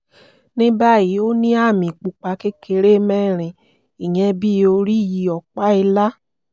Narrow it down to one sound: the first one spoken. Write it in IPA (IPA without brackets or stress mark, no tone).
n